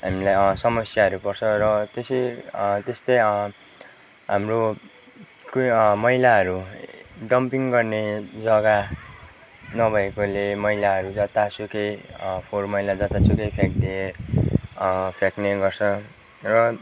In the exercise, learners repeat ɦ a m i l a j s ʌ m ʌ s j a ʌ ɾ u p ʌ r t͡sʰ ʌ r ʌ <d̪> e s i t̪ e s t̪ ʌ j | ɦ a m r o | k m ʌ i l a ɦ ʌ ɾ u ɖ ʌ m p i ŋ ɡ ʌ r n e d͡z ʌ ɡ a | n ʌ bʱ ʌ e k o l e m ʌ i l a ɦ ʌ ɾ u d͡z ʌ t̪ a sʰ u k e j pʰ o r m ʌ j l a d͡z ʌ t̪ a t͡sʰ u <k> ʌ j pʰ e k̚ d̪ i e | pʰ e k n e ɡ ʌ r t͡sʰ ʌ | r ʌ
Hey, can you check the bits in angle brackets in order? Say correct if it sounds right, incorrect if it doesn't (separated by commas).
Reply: incorrect, correct